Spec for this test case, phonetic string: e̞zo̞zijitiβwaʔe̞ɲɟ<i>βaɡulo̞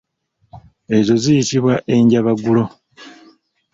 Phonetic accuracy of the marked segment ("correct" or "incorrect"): incorrect